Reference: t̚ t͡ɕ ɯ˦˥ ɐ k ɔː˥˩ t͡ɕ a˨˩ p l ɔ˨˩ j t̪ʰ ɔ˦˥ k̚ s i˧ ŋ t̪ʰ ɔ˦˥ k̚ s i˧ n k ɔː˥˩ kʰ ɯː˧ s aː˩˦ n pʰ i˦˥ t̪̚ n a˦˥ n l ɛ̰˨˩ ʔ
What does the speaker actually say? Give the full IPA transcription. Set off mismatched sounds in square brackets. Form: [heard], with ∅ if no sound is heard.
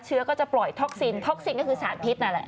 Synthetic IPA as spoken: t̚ [t͡ɕʰ] ɯ˦˥ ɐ k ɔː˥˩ t͡ɕ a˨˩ p l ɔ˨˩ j t̪ʰ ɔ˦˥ k̚ s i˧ [n] t̪ʰ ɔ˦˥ k̚ s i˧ n k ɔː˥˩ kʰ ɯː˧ s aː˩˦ n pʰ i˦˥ t̪̚ n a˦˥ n l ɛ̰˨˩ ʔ

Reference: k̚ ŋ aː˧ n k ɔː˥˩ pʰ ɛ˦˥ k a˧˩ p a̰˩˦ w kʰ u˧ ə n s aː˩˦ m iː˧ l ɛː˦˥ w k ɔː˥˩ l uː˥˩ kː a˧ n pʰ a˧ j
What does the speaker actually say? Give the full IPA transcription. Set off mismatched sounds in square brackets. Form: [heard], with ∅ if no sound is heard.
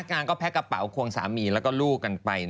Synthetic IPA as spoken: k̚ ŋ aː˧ n k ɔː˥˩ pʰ ɛ˦˥ k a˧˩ p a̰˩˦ w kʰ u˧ ə [ŋ] s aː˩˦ m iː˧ l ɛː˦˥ w k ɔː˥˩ l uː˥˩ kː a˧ n [p] a˧ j

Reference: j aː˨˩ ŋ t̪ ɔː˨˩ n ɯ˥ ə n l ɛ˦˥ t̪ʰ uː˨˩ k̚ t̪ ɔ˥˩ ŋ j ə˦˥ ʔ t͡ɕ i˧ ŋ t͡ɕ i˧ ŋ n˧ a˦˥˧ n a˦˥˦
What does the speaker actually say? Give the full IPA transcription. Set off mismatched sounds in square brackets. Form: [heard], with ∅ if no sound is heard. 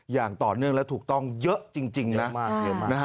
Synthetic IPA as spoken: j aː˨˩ ŋ t̪ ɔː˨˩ n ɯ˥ ə [ŋ] l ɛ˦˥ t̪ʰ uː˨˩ k̚ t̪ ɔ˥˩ ŋ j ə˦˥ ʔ t͡ɕ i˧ ŋ t͡ɕ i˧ ŋ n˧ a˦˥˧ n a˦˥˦

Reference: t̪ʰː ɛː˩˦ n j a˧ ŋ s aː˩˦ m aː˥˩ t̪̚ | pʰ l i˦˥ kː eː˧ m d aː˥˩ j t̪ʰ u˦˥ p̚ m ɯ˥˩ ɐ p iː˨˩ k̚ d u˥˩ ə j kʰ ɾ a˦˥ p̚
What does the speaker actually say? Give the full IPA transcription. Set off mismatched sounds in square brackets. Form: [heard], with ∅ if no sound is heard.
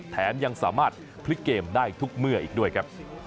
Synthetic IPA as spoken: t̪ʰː ɛː˩˦ n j a˧ ŋ s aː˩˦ m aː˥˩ t̪̚ | pʰ l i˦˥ kː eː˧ m d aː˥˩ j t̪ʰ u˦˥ [k̚] m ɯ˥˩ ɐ [ʔ] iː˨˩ k̚ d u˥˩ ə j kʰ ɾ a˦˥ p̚

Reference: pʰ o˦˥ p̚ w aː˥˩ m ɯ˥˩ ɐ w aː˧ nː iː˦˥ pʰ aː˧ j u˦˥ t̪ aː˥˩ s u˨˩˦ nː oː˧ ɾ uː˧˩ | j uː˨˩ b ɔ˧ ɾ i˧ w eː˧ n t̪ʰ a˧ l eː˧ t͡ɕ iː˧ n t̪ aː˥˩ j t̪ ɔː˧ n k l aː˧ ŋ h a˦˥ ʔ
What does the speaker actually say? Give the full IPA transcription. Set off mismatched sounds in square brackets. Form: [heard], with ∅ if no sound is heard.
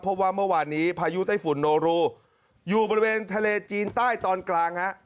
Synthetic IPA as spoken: pʰ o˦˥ p̚ w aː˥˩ m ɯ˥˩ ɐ w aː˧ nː iː˦˥ pʰ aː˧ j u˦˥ t̪ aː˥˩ [f] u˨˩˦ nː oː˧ ɾ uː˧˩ | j uː˨˩ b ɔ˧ ɾ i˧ w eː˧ n t̪ʰ a˧ l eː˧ t͡ɕ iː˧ n t̪ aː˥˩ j t̪ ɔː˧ n k l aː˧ ŋ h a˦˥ ʔ

